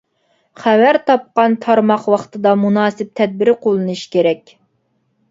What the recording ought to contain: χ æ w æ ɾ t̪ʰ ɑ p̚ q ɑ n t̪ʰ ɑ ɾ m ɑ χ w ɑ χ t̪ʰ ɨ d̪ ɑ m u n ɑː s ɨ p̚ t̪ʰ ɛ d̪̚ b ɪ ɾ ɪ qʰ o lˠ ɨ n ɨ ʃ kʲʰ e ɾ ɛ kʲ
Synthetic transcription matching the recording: χ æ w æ ɾ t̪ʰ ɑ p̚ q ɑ n t̪ʰ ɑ ɾ m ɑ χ w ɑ χ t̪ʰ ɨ d̪ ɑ m u n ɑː s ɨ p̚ t̪ʰ ɛ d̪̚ b ɪ ɾ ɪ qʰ o lˠ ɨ n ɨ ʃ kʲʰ e ɾ ɛ kʲ